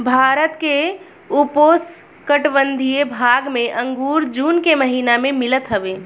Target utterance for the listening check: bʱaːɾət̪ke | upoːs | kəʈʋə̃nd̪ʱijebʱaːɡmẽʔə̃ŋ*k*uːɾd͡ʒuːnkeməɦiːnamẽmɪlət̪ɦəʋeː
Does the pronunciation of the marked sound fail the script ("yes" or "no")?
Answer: yes